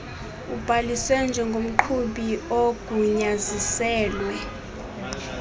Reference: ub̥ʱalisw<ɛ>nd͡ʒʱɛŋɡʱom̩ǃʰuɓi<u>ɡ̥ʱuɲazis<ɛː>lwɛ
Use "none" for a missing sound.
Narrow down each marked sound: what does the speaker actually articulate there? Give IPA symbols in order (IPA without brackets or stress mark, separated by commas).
ɛ, o, ɛː